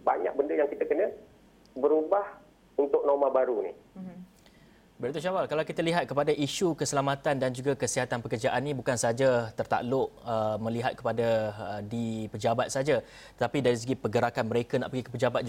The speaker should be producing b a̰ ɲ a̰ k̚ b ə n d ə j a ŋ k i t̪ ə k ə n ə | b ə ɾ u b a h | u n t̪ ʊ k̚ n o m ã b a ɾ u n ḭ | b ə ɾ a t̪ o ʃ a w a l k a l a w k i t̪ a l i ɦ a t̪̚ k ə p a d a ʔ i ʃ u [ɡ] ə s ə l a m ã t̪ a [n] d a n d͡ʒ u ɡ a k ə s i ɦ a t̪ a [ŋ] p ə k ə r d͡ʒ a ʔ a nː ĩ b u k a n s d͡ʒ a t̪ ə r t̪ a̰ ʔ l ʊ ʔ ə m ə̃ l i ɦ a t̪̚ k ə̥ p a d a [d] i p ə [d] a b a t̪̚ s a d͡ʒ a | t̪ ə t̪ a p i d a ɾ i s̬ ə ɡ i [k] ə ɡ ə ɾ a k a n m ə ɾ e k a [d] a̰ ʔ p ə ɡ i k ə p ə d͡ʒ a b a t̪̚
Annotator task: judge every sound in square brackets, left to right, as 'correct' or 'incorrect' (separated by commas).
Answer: incorrect, correct, incorrect, correct, incorrect, incorrect, incorrect